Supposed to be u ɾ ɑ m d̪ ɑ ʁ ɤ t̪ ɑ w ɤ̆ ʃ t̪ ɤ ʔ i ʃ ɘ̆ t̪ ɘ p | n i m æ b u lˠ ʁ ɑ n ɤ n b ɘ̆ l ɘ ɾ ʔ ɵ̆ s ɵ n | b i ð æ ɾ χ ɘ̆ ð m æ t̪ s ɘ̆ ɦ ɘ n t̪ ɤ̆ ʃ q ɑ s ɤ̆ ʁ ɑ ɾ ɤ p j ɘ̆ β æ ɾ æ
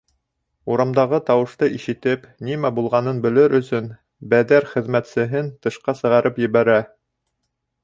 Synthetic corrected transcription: u ɾ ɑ m d̪ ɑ ʁ ɤ t̪ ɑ w ɤ̆ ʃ t̪ ɤ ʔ i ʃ ɘ̆ t̪ ɘ p | n i m æ b u lˠ ʁ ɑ n ɤ n b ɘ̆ l ɘ ɾ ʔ ɵ̆ s ɵ n | b æ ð æ ɾ χ ɘ̆ ð m æ t̪ s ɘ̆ ɦ ɘ n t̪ ɤ̆ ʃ q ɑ s ɤ̆ ʁ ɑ ɾ ɤ p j ɘ̆ β æ ɾ æ

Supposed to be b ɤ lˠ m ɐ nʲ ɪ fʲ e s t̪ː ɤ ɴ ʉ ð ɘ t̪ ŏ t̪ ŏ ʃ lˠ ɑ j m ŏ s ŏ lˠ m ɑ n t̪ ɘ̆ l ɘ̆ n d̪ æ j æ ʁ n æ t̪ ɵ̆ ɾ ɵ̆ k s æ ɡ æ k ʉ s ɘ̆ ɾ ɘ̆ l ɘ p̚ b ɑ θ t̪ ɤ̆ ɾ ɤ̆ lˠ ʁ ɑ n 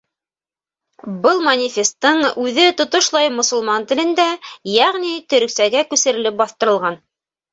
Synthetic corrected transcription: b ɤ lˠ m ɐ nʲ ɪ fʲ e s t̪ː ɤ ɴ ʉ ð ɘ t̪ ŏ t̪ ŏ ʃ lˠ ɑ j m ŏ s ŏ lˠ m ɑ n t̪ ɘ̆ l ɘ̆ n d̪ æ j æ ʁ n i t̪ ɵ̆ ɾ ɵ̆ k s æ ɡ æ k ʉ s ɘ̆ ɾ ɘ̆ l ɘ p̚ b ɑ θ t̪ ɤ̆ ɾ ɤ̆ lˠ ʁ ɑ n

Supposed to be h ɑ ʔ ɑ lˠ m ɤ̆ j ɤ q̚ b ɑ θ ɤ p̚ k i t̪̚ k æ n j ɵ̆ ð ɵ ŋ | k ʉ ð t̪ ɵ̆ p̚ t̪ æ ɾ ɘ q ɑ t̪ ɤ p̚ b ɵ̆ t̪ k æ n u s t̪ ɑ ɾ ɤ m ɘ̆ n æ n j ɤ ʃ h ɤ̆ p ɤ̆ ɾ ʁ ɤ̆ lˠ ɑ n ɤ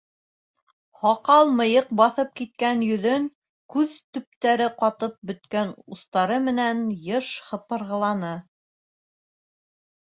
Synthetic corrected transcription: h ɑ q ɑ lˠ m ɤ̆ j ɤ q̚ b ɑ θ ɤ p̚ k i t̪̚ k æ n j ɵ̆ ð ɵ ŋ | k ʉ ð t̪ ɵ̆ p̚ t̪ æ ɾ ɘ q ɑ t̪ ɤ p̚ b ɵ̆ t̪ k æ n u s t̪ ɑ ɾ ɤ m ɘ̆ n æ n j ɤ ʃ h ɤ̆ p ɤ̆ ɾ ʁ ɤ̆ lˠ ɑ n ɤ

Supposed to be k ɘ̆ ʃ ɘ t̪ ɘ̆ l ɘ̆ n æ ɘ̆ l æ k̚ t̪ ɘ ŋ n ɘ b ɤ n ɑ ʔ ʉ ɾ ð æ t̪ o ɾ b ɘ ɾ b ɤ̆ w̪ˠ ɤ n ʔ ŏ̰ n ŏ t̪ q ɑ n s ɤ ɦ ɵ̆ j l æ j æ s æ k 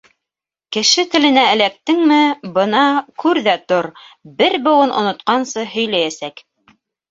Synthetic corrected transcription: k ɘ̆ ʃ ɘ t̪ ɘ̆ l ɘ̆ n æ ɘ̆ l æ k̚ t̪ ɘ ŋ m ɘ b ɤ n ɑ k ʉ ɾ ð æ t̪ o ɾ b ɘ ɾ b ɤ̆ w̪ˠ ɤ n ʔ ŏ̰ n ŏ t̪ q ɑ n s ɤ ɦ ɵ̆ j l æ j æ s æ k

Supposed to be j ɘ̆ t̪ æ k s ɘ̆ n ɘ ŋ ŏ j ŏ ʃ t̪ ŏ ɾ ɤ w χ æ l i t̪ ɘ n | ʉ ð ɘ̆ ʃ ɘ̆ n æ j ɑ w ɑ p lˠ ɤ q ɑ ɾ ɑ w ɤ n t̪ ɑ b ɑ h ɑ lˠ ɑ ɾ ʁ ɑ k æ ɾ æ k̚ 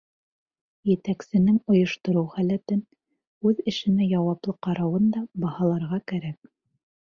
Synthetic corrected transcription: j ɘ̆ t̪ æ k s ɘ̆ n ɘ ŋ ŏ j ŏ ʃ t̪ ŏ ɾ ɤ w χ æ l æ t̪ ɘ n | ʉ ð ɘ̆ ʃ ɘ̆ n æ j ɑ w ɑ p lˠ ɤ q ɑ ɾ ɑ w ɤ n d̪ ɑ b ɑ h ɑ lˠ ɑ ɾ ʁ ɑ k æ ɾ æ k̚

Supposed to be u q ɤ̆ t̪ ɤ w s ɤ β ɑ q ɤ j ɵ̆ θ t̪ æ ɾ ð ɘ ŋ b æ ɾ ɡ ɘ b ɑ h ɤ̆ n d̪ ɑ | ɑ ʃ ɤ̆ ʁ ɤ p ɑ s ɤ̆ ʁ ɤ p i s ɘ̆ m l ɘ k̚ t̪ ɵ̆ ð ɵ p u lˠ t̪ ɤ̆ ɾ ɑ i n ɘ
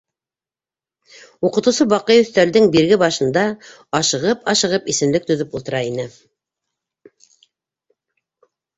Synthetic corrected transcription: u q ɤ̆ t̪ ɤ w s ɤ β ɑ q ɤ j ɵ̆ θ t̪ æ ɾ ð ɘ ŋ b i ɾ ɡ ɘ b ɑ ʃ ɤ̆ n d̪ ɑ | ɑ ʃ ɤ̆ ʁ ɤ p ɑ ʃ ɤ̆ ʁ ɤ p i s ɘ̆ m l ɘ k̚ t̪ ɵ̆ ð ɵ p u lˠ t̪ ɤ̆ ɾ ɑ i n ɘ

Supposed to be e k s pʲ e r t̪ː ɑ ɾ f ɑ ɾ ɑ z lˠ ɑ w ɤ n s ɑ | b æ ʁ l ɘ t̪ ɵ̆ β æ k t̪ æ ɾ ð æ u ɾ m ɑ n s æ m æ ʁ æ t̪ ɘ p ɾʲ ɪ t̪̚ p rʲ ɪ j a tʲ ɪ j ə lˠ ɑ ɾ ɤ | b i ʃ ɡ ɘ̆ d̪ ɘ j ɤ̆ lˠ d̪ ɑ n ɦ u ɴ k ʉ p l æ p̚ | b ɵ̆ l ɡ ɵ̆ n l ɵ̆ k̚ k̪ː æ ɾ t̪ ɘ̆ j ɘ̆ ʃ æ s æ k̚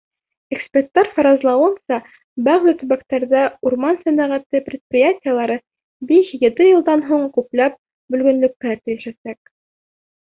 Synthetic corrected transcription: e k s pʲ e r t̪ː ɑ ɾ f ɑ ɾ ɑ z lˠ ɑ w ɤ n s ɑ | b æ ʁ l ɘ t̪ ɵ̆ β æ k t̪ æ ɾ ð æ u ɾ m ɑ n s æ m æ ʁ æ t̪ ɘ p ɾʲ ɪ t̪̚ p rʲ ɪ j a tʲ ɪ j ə lˠ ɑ ɾ ɤ | b i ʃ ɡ ɘ̆ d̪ ɘ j ɤ̆ lˠ d̪ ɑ n ɦ u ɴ k ʉ p l æ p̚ | b ɵ̆ l ɡ ɵ̆ n l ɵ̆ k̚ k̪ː æ ɾ t̪ ɘ̆ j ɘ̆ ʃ æ s æ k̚

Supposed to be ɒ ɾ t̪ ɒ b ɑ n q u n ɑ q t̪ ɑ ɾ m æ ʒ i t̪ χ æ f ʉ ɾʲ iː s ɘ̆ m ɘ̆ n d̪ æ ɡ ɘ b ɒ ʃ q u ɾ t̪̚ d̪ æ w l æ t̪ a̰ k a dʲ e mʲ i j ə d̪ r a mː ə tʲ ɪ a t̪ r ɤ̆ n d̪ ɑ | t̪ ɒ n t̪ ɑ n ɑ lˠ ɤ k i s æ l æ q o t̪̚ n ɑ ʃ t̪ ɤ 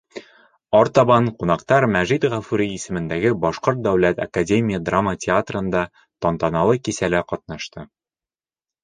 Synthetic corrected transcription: ɒ ɾ t̪ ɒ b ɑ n q u n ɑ q t̪ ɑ ɾ m æ ʒ i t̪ ʁ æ f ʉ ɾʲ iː s ɘ̆ m ɘ̆ n d̪ æ ɡ ɘ b ɒ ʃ q o ɾ t̪̚ d̪ æ w l æ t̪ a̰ k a dʲ e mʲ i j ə d̪ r a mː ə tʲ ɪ a t̪ r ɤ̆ n d̪ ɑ | t̪ ɒ n t̪ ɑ n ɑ lˠ ɤ k i s æ l æ q ɒ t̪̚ n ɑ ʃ t̪ ɤ

